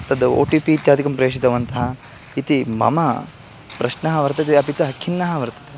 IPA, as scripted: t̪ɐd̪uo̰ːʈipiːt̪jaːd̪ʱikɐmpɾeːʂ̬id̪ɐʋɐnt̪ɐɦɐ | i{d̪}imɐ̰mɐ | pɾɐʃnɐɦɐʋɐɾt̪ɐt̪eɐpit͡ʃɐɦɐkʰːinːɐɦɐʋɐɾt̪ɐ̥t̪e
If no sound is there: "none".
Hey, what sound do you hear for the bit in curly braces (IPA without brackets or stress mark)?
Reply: t̪